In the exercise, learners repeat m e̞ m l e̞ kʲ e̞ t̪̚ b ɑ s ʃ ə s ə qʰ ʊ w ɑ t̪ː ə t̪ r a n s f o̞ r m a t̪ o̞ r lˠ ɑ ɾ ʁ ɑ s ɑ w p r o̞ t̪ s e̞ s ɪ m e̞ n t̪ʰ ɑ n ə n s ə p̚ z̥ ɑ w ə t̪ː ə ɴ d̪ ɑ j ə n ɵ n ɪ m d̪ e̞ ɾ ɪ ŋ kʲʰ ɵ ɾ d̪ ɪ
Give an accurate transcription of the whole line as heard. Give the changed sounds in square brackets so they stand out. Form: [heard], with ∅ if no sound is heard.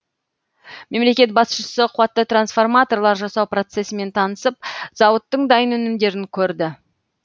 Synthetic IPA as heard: m e̞ m l e̞ kʲ e̞ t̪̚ b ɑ s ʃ ə s ə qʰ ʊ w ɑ t̪ː ə t̪ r a n s f o̞ r m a t̪ o̞ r lˠ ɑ ɾ [ʒ] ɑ s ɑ w p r o̞ t̪ s e̞ s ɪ m e̞ n t̪ʰ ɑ n ə [∅] s ə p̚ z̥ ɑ w ə t̪ː ə ɴ d̪ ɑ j ə n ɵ n ɪ m d̪ e̞ ɾ ɪ ŋ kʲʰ ɵ ɾ d̪ ɪ